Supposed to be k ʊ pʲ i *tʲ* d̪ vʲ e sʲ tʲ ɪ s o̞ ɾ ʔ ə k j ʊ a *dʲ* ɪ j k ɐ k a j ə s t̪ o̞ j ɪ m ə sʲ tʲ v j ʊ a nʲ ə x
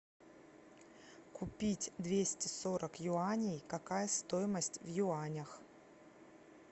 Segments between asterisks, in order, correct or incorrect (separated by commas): correct, incorrect